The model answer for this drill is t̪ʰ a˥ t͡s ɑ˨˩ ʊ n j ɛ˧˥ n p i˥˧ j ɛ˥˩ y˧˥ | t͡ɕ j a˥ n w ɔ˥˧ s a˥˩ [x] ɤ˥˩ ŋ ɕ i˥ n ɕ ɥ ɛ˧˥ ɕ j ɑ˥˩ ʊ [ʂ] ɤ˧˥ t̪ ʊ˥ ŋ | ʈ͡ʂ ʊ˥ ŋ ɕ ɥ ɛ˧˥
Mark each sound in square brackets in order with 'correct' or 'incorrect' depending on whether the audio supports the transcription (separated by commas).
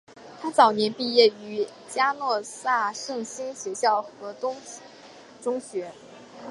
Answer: incorrect, incorrect